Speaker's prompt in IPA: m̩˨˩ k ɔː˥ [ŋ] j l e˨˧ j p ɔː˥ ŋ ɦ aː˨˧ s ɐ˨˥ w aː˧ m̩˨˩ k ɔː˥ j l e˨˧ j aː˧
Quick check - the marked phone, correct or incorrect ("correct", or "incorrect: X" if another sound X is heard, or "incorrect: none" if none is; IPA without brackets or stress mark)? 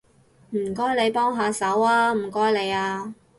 incorrect: none